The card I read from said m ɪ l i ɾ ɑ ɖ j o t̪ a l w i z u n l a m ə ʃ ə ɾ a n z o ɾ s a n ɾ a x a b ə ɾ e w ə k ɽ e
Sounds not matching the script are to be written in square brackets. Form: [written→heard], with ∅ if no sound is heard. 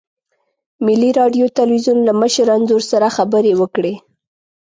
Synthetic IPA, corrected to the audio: m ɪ l i ɾ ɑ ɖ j o t̪ a l w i z u n l a m ə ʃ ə ɾ a n z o ɾ s a [n→∅] ɾ a x a b ə ɾ e w ə k ɽ e